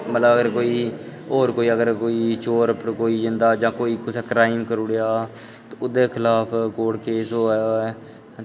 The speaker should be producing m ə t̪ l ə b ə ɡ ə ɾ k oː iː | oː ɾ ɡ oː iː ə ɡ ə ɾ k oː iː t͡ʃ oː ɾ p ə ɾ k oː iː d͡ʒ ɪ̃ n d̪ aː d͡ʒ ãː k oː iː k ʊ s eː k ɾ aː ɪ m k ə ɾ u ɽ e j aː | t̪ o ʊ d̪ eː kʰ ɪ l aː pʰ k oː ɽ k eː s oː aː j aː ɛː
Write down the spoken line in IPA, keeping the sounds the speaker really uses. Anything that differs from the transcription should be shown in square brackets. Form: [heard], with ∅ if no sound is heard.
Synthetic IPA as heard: m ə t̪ l ə b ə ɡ ə ɾ k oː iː | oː ɾ [k] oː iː ə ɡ ə ɾ k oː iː t͡ʃ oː ɾ p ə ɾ k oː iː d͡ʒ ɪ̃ n d̪ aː d͡ʒ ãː k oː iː k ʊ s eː k ɾ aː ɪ m k ə ɾ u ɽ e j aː | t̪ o ʊ d̪ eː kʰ ɪ l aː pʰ k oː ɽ k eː s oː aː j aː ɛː